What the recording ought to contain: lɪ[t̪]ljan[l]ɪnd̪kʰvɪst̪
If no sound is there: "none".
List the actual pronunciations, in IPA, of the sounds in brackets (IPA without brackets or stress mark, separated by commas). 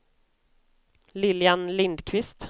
none, l